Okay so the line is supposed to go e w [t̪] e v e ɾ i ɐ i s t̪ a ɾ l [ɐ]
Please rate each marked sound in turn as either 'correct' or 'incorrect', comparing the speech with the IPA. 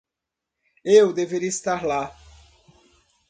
incorrect: d̪, incorrect: a

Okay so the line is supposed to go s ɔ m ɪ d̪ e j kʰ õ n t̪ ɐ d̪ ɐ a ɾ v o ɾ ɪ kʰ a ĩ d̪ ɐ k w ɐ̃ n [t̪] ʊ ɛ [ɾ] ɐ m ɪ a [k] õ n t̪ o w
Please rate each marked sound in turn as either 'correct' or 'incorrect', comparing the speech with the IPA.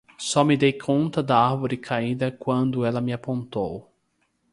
incorrect: d̪, incorrect: l, incorrect: p

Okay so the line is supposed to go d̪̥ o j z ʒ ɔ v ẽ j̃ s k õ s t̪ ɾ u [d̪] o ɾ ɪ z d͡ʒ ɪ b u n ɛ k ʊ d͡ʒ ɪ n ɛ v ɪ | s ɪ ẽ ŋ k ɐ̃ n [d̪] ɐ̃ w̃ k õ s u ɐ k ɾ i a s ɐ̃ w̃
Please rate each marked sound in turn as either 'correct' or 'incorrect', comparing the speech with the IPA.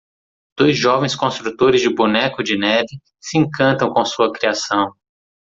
incorrect: t̪, incorrect: t̪

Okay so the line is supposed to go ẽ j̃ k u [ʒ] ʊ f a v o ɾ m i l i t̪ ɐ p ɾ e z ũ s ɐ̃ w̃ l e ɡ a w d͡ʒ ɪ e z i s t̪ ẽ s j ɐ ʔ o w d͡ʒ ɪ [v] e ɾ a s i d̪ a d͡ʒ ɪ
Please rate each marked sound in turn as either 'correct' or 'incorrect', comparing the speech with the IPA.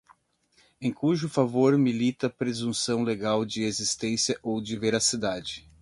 correct, correct

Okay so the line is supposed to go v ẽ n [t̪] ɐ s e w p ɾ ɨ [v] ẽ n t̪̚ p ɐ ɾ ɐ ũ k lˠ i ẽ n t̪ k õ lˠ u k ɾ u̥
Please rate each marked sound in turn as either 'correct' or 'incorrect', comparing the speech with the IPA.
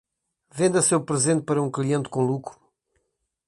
incorrect: d̪, incorrect: z

